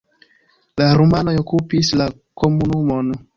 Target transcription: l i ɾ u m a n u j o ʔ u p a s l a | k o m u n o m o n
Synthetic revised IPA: l a ɾ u m a n o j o k u p i s l a | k o m u n u m o n